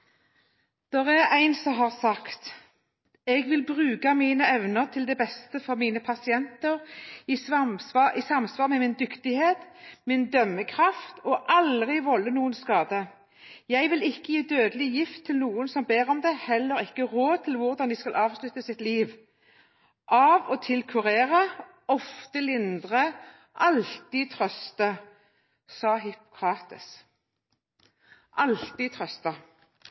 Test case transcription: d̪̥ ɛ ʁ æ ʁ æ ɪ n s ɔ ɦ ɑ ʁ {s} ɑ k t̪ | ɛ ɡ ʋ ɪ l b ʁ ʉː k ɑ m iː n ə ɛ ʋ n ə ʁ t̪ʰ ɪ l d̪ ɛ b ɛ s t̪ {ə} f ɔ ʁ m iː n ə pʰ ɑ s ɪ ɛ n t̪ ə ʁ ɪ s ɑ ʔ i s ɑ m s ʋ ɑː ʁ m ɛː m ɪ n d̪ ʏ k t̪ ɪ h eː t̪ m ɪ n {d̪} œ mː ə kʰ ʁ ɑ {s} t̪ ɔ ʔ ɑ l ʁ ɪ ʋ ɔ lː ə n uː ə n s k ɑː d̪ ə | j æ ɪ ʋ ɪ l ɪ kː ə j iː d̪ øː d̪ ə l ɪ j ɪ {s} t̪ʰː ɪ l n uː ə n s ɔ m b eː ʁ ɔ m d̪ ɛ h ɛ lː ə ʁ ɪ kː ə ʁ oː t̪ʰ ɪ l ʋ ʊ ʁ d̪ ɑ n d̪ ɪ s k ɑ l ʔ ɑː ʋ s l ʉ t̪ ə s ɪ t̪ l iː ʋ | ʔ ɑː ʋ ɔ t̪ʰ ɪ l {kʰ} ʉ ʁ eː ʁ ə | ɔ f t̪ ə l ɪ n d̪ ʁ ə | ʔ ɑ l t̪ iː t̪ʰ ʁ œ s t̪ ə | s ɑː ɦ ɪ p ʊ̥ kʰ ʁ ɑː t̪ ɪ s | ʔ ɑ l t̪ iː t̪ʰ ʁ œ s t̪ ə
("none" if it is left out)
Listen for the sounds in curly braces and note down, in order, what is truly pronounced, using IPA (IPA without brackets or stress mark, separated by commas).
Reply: s, ə, d̪, f, f, kʰ